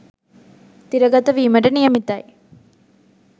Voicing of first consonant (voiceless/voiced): voiceless